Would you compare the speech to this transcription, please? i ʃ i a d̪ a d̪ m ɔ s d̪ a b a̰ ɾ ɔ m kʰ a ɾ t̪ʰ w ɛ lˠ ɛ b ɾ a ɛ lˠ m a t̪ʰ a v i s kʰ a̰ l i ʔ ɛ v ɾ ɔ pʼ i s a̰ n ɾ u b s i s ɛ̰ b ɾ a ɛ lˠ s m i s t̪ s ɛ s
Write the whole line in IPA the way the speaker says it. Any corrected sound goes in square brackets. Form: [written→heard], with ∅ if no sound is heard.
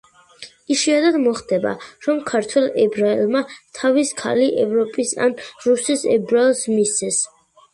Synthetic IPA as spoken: i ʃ i a d̪ a d̪ m ɔ [s→χ] d̪ [a→ɛ] b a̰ ɾ ɔ m kʰ a ɾ t̪ʰ w ɛ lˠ ɛ b ɾ a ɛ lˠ m a t̪ʰ a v i s kʰ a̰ l i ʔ ɛ v ɾ ɔ pʼ i s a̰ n ɾ u [b→∅] s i s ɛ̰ b ɾ a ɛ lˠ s m i s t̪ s ɛ s